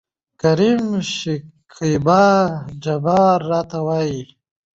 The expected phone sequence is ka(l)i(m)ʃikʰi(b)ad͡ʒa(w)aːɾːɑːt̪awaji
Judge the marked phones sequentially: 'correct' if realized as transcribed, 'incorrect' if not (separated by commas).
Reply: incorrect, correct, correct, incorrect